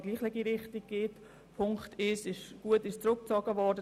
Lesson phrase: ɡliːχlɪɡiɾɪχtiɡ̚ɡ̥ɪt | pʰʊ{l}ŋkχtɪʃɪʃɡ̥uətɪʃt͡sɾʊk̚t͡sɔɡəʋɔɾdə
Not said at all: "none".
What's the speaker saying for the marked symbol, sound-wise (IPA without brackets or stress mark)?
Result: none